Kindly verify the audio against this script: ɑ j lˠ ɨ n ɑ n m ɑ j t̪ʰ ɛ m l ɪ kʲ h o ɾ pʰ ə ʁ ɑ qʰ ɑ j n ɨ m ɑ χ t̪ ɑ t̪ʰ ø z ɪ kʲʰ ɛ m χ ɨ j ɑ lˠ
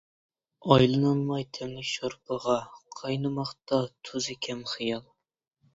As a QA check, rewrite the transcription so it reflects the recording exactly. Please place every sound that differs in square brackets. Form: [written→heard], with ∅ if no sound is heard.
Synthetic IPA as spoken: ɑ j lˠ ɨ n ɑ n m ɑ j t̪ʰ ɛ m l ɪ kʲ [h→ʃ] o ɾ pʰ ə ʁ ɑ qʰ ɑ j n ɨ m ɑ χ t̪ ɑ t̪ʰ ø z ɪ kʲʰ ɛ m χ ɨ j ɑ lˠ